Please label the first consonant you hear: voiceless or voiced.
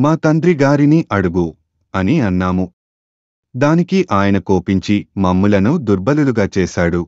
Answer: voiced